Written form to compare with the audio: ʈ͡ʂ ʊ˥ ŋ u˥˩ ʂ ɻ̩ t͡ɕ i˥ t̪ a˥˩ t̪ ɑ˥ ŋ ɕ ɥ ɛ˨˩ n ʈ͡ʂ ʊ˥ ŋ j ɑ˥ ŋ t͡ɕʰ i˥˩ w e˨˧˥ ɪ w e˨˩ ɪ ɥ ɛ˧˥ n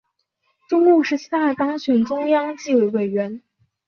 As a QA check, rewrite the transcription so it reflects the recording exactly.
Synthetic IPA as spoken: ʈ͡ʂ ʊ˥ ŋ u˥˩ ʂ ɻ̩ t͡ɕʰ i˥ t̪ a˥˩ t̪ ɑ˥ ŋ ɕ ɥ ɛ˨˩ n ʈ͡ʂ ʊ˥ ŋ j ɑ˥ ŋ t͡ɕ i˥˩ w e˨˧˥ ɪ w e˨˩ ɪ ɥ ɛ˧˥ n

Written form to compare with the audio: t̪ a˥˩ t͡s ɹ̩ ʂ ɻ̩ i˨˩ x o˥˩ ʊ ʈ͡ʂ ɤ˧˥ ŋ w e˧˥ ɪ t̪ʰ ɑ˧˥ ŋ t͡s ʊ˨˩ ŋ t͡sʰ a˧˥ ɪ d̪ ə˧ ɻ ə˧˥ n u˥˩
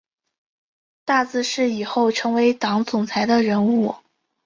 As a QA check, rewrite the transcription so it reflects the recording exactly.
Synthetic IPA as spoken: t̪ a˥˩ t͡s ɹ̩ ʂ ɻ̩ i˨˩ x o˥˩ ʊ ʈ͡ʂʰ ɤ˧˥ ŋ w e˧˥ ɪ t̪ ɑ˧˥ ŋ t͡s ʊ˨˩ ŋ t͡sʰ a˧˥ ɪ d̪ ə˧ ɻ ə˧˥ n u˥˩

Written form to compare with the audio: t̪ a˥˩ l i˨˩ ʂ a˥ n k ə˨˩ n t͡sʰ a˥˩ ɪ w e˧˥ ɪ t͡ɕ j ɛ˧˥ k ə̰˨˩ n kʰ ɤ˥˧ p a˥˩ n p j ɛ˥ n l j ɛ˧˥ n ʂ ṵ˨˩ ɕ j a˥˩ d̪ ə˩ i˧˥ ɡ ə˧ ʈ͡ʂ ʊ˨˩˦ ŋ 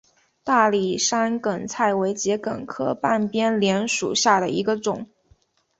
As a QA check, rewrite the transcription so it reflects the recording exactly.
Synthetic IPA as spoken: t̪ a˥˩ l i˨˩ ʂ a˥ n k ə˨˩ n t͡sʰ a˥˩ ɪ w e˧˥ ɪ t͡ɕ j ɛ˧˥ k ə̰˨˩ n kʰ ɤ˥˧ p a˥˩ n p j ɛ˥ n l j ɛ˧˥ n ʂ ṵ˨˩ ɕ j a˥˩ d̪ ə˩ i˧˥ ɡ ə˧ ʈ͡ʂ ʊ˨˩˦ ŋ

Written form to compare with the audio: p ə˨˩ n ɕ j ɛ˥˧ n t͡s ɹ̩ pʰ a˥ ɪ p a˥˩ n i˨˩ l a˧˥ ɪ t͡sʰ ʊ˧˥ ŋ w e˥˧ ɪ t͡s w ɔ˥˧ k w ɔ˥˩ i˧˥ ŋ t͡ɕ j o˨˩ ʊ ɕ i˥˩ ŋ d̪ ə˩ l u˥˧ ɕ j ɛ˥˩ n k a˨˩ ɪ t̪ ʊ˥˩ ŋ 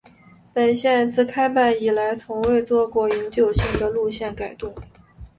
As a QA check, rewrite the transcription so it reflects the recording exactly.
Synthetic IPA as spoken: p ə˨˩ n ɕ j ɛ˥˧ n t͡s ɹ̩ kʰ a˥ ɪ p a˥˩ n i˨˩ l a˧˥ ɪ t͡sʰ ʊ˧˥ ŋ w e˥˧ ɪ t͡s w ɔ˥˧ k w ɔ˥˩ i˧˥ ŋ t͡ɕ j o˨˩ ʊ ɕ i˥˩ ŋ d̪ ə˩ l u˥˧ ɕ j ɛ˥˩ n k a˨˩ ɪ t̪ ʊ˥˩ ŋ

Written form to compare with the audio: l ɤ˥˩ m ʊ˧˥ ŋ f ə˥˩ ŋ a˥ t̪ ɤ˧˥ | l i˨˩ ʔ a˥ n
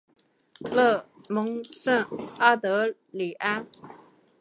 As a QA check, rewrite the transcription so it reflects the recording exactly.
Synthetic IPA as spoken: l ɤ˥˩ m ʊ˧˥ ŋ ʂ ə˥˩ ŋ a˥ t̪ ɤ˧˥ | l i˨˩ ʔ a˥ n

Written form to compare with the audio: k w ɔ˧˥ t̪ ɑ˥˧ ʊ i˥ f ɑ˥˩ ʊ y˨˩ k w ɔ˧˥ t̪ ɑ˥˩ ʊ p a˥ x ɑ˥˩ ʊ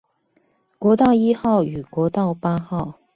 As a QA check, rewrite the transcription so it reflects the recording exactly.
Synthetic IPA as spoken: k w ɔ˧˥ t̪ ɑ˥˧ ʊ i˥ x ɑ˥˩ ʊ y˨˩ k w ɔ˧˥ t̪ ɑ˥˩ ʊ p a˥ x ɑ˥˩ ʊ

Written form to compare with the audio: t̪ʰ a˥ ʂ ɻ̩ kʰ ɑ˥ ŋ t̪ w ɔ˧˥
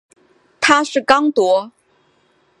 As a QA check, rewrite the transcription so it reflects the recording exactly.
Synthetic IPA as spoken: t̪ʰ a˥ ʂ ɻ̩ k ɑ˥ ŋ t̪ w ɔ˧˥

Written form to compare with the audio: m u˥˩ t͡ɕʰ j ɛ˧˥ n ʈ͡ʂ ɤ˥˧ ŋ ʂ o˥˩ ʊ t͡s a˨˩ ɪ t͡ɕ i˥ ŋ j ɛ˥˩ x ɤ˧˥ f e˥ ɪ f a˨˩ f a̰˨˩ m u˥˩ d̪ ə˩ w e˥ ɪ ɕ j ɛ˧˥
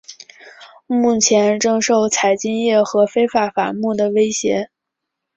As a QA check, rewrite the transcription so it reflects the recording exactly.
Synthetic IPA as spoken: m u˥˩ t͡ɕʰ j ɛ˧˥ n ʈ͡ʂ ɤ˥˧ ŋ ʂ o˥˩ ʊ t͡sʰ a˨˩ ɪ t͡ɕ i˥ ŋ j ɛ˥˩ x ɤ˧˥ f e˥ ɪ f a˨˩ f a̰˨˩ m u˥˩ d̪ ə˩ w e˥ ɪ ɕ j ɛ˧˥

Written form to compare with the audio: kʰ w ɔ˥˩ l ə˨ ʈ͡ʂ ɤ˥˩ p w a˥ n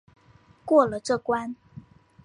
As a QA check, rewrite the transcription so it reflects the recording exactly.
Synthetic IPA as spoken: k w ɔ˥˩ l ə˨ ʈ͡ʂ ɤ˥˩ k w a˥ n

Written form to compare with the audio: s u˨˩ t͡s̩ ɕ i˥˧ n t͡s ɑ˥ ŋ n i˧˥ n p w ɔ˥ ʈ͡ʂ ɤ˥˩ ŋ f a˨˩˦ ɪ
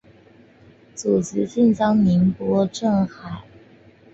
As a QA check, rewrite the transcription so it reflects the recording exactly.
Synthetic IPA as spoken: t͡s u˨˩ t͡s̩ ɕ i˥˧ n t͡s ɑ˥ ŋ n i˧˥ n p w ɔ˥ ʈ͡ʂ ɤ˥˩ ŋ x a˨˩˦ ɪ

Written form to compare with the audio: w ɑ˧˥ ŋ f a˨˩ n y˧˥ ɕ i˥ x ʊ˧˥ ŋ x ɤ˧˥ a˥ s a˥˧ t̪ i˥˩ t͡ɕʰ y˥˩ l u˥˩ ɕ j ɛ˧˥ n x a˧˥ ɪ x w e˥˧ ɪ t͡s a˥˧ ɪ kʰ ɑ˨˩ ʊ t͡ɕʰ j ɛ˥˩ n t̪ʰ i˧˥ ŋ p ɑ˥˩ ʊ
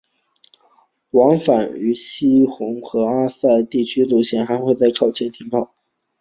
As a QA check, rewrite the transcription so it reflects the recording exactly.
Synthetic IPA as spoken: w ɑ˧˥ ŋ f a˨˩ n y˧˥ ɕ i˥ x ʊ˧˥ ŋ x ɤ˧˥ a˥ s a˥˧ t̪ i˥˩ t͡ɕʰ y˥ l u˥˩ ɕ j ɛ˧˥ n x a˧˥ ɪ x w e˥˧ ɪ t͡s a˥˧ ɪ kʰ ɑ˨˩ ʊ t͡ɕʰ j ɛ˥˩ n t̪ʰ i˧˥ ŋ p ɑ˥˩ ʊ

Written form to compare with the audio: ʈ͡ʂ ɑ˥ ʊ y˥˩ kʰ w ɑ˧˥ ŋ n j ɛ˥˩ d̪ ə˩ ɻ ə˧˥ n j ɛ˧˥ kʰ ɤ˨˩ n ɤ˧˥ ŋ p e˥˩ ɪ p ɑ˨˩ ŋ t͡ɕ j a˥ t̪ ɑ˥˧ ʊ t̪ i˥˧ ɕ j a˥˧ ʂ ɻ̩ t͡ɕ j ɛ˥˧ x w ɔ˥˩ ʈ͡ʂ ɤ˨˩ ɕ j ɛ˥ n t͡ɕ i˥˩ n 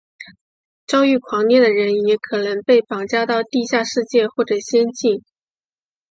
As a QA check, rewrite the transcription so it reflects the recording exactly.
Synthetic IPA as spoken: ʈ͡ʂ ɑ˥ ʊ y˥˩ kʰ w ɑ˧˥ ŋ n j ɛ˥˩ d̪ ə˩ ɻ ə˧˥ n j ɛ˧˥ kʰ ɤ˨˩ n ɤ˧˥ ŋ p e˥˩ ɪ p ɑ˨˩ ŋ t͡ɕ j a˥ t̪ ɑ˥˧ ʊ t̪ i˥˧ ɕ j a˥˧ ʂ ɻ̩ t͡ɕ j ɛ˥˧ x w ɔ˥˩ ʈ͡ʂ ɤ˨˩ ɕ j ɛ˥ n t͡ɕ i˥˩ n

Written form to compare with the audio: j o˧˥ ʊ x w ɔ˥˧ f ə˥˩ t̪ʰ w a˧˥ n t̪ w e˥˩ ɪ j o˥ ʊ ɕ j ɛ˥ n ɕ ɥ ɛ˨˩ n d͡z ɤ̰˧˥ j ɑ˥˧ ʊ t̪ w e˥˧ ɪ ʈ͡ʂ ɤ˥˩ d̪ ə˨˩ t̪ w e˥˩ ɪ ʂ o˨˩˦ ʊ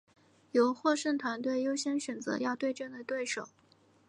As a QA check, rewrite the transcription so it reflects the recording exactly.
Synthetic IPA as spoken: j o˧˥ ʊ x w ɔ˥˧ ʂ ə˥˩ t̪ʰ w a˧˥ n t̪ w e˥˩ ɪ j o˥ ʊ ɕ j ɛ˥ n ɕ ɥ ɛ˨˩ n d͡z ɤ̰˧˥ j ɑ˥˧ ʊ t̪ w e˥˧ ɪ ʈ͡ʂ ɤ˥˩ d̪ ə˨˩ t̪ w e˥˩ ɪ ʂ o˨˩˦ ʊ

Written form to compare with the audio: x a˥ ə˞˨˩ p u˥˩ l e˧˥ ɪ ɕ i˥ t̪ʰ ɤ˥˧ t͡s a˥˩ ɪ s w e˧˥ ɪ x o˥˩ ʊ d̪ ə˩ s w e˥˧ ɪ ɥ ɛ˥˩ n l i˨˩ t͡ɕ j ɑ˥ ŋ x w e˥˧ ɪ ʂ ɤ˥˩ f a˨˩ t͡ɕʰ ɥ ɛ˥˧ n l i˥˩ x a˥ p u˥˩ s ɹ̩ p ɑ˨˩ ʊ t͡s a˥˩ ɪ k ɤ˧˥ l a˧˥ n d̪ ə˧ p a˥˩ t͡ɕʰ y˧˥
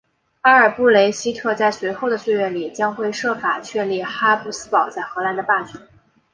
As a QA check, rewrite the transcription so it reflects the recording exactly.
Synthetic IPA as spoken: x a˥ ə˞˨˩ p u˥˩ l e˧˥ ɪ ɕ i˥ t̪ʰ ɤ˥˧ t͡s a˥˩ ɪ s w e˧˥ ɪ x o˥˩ ʊ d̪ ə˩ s w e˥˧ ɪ ɥ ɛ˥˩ n l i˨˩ t͡ɕ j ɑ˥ ŋ x w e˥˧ ɪ ʂ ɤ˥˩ f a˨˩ t͡ɕʰ ɥ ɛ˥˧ n l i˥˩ x a˥ p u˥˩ s ɹ̩ p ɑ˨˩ ʊ t͡s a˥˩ ɪ x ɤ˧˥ l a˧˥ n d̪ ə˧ p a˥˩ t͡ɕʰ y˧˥

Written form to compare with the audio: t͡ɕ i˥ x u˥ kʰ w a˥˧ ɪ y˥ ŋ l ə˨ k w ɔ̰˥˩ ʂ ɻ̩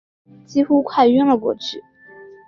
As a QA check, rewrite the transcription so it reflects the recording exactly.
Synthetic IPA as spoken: t͡ɕ i˥ x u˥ kʰ w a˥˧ ɪ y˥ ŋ l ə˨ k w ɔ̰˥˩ ʈ͡ʂ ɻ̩

